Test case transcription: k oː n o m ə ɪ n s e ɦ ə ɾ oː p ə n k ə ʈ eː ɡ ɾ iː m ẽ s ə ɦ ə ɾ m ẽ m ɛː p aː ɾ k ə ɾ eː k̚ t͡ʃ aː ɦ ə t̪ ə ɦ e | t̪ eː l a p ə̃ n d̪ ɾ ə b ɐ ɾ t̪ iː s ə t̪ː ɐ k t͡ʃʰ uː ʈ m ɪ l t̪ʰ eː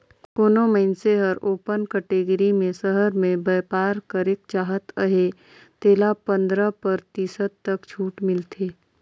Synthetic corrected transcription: k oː n o m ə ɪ n s e ɦ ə ɾ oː p ə n k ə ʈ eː ɡ ɾ i m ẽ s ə ɦ ə ɾ m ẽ b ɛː p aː ɾ k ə ɾ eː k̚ t͡ʃ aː ɦ ə t̪ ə ɦ e | t̪ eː l a p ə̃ n d̪ ɾ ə p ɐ ɾ t̪ iː s ə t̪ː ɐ k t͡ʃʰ uː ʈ m ɪ l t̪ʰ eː